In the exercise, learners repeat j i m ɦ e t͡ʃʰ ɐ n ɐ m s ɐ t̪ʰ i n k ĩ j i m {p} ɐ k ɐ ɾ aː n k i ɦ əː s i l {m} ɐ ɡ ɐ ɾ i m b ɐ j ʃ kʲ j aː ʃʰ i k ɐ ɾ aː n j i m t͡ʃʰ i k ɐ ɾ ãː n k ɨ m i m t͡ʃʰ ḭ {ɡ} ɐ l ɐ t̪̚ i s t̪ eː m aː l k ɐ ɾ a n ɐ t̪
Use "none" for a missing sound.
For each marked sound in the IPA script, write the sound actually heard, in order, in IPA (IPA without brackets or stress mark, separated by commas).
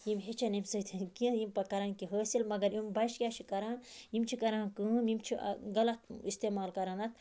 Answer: p, m, ɡ